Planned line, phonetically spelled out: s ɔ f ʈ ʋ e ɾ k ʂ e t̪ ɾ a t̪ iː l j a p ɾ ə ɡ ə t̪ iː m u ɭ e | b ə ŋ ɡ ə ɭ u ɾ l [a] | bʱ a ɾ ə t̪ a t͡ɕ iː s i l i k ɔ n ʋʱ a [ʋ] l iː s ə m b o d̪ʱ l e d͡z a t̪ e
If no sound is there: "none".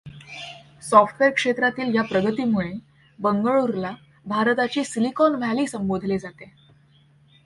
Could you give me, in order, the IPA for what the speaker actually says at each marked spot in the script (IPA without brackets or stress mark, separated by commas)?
a, none